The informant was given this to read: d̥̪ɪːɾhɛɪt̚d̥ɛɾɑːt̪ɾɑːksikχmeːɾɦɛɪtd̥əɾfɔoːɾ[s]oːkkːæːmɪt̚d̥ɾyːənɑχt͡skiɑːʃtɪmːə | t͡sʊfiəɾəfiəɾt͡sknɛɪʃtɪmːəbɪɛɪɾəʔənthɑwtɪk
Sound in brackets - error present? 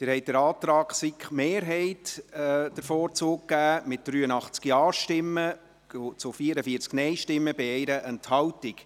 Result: yes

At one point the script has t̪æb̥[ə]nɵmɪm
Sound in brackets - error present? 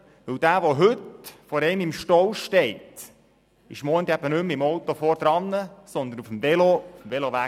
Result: no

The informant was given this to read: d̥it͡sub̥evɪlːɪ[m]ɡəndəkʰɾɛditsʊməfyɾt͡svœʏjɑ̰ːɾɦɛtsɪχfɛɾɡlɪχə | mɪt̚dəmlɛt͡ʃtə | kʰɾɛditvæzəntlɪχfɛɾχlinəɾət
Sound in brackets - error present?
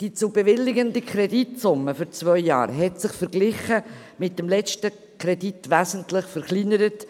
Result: yes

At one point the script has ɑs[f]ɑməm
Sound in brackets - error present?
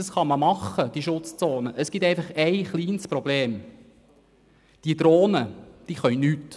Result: yes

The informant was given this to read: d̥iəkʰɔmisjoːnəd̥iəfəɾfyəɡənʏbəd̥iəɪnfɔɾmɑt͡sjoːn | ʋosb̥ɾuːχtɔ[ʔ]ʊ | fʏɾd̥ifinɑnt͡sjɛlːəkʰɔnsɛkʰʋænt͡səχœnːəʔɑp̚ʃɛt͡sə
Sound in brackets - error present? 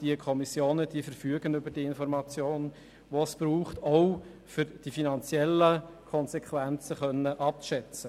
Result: yes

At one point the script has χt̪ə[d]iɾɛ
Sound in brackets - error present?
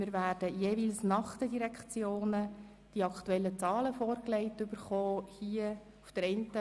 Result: no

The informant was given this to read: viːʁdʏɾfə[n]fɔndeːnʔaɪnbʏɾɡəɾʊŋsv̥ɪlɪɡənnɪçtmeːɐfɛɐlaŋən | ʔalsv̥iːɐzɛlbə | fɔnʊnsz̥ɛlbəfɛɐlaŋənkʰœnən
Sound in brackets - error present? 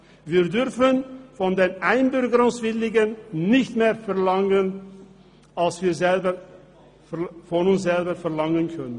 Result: no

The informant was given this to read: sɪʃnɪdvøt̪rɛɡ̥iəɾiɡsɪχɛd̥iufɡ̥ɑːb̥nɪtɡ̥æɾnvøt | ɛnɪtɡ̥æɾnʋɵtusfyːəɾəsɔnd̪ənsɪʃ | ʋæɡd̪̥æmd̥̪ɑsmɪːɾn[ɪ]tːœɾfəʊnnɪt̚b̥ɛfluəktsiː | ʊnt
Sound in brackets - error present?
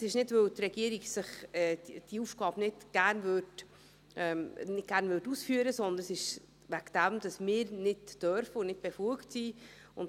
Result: no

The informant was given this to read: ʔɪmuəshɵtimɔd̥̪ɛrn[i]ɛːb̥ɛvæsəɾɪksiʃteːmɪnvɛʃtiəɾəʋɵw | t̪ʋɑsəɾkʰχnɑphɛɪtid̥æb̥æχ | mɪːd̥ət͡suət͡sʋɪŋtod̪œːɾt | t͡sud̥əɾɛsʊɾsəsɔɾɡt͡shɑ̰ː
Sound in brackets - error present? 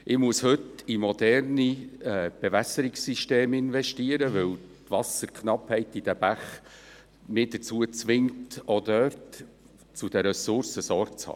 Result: no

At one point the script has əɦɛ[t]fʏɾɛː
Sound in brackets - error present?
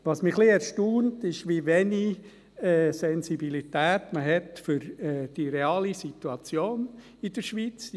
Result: no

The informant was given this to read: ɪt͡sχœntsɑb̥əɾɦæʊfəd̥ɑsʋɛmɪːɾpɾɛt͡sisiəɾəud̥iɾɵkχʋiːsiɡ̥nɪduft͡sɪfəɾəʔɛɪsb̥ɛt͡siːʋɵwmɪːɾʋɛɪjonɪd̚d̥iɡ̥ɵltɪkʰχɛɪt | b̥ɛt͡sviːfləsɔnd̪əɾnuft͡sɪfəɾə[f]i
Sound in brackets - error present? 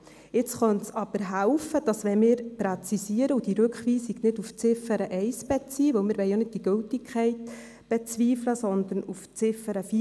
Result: no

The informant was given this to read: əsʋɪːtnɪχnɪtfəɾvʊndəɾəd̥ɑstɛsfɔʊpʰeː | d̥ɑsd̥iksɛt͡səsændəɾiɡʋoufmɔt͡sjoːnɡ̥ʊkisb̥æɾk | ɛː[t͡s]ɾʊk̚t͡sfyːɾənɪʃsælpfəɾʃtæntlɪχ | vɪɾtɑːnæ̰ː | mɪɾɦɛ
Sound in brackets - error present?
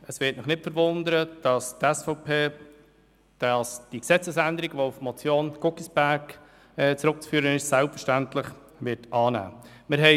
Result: no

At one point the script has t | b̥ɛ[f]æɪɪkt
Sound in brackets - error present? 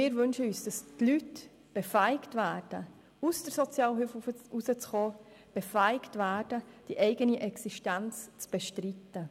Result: no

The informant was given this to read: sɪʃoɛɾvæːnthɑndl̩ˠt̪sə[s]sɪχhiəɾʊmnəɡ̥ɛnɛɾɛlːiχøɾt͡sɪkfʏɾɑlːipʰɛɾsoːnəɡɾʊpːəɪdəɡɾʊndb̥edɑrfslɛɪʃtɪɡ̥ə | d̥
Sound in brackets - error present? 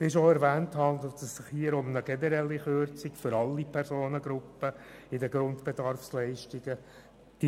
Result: no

